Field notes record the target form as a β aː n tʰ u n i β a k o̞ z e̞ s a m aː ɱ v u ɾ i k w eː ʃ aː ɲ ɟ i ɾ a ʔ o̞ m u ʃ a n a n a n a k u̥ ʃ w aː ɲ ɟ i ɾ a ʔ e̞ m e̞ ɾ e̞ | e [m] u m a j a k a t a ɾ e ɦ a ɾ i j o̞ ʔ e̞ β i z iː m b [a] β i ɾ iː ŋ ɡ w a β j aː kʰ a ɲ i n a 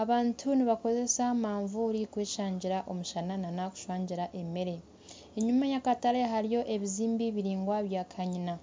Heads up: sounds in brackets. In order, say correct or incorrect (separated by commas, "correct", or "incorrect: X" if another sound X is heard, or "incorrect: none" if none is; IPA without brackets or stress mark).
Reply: incorrect: ɲ, incorrect: i